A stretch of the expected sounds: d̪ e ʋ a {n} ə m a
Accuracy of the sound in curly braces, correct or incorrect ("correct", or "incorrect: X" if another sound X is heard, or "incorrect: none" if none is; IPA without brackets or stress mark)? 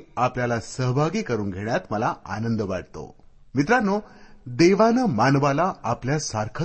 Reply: correct